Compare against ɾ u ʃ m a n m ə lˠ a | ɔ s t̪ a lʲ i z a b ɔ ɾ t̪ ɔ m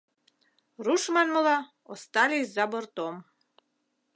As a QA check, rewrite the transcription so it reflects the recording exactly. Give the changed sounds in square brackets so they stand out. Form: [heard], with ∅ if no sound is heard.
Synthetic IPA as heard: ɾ u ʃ m a n m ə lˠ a | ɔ s t̪ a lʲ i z a b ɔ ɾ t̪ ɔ m